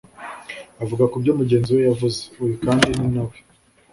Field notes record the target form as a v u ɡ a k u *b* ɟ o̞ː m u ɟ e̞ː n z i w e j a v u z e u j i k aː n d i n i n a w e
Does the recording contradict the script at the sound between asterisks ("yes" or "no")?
no